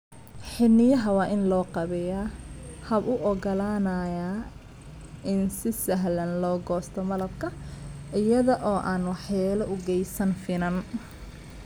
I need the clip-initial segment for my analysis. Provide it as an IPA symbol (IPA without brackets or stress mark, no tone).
ħ